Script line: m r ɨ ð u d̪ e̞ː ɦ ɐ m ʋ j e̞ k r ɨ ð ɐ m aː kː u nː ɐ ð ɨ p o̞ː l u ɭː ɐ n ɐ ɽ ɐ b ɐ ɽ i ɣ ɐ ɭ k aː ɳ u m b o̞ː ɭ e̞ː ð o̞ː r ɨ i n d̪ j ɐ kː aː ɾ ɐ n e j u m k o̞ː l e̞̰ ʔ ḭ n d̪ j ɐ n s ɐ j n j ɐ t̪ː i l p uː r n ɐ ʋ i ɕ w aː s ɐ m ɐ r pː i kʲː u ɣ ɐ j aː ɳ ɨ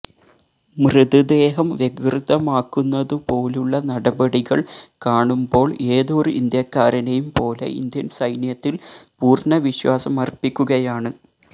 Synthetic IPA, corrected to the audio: m r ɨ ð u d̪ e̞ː ɦ ɐ m ʋ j e̞ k r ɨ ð ɐ m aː kː u nː ɐ ð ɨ p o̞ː l u ɭː ɐ n ɐ ɽ ɐ b ɐ ɽ i ɣ ɐ ɭ k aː ɳ u m b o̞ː ɭ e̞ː ð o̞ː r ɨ i n d̪ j ɐ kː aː ɾ ɐ n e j u m p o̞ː l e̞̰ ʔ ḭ n d̪ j ɐ n s ɐ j n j ɐ t̪ː i l p uː r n ɐ ʋ i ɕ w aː s ɐ m ɐ r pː i kʲː u ɣ ɐ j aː ɳ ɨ